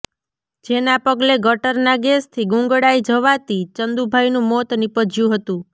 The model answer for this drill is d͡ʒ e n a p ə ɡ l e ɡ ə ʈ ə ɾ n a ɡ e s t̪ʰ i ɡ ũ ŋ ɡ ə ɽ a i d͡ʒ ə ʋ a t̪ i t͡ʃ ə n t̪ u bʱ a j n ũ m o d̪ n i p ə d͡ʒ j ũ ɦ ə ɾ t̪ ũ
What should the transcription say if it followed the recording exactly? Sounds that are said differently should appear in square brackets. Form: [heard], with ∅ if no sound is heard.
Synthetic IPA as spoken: d͡ʒ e n a p ə ɡ l e ɡ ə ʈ ə ɾ n a ɡ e s t̪ʰ i ɡ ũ ŋ ɡ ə ɽ a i d͡ʒ ə ʋ a t̪ i t͡ʃ ə n [d̪] u bʱ a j n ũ m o [t̪] n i p ə d͡ʒ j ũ ɦ ə [∅] t̪ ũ